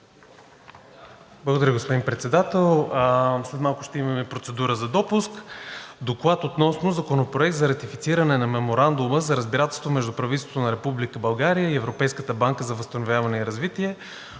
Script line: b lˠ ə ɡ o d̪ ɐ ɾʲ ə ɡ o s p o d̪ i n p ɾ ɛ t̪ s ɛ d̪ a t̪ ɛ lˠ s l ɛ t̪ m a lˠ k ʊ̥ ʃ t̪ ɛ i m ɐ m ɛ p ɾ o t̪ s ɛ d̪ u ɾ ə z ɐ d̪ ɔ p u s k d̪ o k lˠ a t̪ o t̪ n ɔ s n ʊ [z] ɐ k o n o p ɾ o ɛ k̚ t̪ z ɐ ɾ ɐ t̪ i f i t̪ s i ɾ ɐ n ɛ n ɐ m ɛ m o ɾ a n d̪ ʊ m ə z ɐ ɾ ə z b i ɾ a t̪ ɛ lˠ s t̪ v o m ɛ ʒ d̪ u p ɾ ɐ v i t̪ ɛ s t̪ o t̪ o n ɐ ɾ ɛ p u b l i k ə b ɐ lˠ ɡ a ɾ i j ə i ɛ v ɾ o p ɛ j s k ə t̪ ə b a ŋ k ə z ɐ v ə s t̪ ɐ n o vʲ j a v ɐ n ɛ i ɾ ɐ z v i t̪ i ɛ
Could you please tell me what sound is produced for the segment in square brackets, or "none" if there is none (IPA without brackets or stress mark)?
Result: z